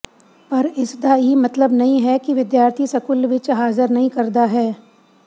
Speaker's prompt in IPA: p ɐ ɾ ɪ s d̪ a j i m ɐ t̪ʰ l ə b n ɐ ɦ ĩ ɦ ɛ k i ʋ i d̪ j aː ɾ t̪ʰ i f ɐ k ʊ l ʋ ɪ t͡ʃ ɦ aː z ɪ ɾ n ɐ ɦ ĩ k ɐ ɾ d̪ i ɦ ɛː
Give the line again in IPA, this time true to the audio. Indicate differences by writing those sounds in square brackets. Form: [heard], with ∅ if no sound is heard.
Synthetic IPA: p ɐ ɾ ɪ s d̪ a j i m ɐ [t̪] l ə b n ɐ ɦ ĩ ɦ ɛ k i ʋ [ɪ] d̪ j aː ɾ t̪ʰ i [s] ɐ k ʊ l ʋ ɪ t͡ʃ ɦ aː z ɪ ɾ n ɐ ɦ ĩ k ɐ ɾ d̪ [a] ɦ ɛː